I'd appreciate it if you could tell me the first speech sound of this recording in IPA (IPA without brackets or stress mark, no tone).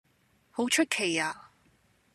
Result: h